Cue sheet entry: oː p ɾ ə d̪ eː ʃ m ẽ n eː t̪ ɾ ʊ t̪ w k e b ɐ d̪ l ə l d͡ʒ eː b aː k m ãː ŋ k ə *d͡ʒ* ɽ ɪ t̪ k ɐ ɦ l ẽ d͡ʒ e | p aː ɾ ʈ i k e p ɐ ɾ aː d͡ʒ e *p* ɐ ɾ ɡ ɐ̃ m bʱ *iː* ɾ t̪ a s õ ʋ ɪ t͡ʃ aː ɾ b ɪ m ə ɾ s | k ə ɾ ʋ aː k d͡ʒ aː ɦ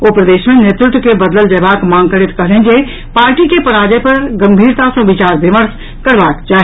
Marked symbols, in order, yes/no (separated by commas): no, yes, yes